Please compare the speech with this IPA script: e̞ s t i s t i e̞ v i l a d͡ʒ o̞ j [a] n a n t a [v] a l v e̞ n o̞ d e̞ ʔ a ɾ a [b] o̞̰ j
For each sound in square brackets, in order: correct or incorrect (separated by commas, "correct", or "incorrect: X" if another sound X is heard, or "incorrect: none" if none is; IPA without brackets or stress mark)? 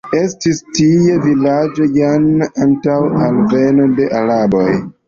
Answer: correct, incorrect: w, correct